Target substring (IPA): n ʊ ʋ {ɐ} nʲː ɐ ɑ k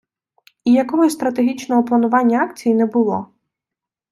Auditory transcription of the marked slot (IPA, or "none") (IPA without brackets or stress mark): ɑ